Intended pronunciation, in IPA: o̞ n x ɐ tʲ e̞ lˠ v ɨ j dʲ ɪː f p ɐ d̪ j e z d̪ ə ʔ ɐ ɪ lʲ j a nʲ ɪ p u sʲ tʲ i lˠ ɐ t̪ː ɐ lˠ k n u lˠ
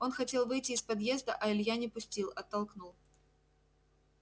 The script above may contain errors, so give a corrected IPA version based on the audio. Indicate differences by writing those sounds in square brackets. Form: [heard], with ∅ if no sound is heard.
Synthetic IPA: o̞ n x ɐ tʲ e̞ lˠ v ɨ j [tʲ] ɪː [s] p ɐ d̪ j e z d̪ ə ʔ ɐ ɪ lʲ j a nʲ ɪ p [ʊ] sʲ tʲ i lˠ ɐ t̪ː ɐ lˠ k n u lˠ